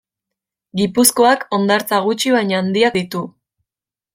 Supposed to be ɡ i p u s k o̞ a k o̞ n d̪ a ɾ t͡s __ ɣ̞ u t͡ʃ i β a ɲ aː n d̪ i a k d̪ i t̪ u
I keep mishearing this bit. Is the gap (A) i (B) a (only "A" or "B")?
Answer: B